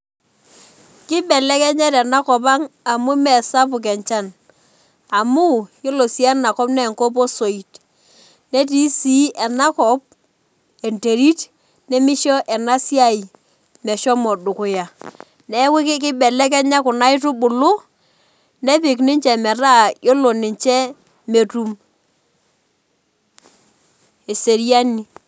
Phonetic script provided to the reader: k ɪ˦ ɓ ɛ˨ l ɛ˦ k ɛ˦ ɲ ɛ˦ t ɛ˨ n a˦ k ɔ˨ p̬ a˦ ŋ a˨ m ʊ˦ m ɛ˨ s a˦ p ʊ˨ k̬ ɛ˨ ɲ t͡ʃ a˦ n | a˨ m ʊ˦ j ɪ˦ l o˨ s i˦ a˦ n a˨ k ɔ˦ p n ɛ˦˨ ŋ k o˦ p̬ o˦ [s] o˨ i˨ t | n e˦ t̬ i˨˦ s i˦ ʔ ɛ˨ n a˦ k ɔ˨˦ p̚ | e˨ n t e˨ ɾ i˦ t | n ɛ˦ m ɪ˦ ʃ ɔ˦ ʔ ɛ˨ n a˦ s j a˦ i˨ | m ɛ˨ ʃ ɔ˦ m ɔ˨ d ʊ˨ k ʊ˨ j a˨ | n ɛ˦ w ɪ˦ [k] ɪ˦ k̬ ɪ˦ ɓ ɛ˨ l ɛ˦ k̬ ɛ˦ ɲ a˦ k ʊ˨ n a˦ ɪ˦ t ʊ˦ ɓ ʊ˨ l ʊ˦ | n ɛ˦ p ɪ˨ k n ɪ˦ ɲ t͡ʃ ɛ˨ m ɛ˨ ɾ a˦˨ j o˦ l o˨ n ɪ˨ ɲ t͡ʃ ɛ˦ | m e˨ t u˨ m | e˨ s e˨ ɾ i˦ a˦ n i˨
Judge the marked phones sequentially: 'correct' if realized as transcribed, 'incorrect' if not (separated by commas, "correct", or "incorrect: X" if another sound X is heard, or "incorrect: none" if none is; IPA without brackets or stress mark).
correct, correct